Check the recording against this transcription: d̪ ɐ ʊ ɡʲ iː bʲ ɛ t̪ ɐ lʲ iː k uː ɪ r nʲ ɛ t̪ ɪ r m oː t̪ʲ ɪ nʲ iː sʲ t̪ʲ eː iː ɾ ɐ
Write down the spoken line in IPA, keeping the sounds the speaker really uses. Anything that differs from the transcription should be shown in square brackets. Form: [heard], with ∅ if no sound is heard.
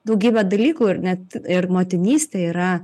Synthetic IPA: d̪ ɐ ʊ ɡʲ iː bʲ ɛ [d̪] ɐ lʲ iː k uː ɪ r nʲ ɛ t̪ ɪ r m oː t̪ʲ ɪ nʲ iː sʲ t̪ʲ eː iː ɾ ɐ